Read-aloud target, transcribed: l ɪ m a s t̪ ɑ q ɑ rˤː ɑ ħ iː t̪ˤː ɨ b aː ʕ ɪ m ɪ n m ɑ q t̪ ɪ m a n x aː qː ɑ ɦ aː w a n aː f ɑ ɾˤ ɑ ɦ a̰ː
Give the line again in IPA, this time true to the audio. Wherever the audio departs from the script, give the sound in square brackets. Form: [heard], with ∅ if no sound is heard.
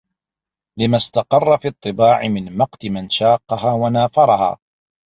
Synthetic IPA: l ɪ m a s t̪ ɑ q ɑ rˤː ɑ [f] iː t̪ˤː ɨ b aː ʕ ɪ m ɪ n m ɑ q t̪ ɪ m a n [ʃ] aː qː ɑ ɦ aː w a n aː f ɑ ɾˤ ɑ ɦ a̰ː